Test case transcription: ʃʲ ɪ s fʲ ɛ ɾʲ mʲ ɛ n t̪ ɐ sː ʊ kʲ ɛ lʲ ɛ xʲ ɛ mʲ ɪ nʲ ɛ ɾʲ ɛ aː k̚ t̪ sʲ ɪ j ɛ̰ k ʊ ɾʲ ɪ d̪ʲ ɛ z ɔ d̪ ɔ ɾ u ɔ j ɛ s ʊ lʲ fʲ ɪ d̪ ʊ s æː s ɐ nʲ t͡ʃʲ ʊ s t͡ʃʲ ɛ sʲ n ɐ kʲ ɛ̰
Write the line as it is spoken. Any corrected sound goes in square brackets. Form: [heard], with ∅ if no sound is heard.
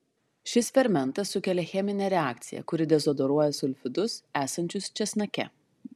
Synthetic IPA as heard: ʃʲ ɪ s fʲ ɛ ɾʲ mʲ ɛ n t̪ ɐ sː ʊ kʲ ɛ lʲ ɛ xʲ ɛ mʲ ɪ nʲ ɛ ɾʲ ɛ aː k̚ t̪ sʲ ɪ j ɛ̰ k ʊ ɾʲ ɪ d̪ʲ ɛ z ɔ d̪ ɔ ɾ u ɔ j ɛ s ʊ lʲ fʲ ɪ d̪ ʊ s æː s ɐ nʲ t͡ʃʲ ʊ s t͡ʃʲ ɛ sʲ n ɐ kʲ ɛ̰